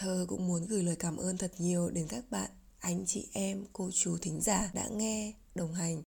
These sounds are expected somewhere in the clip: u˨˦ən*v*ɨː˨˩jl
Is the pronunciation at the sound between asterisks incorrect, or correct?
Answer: incorrect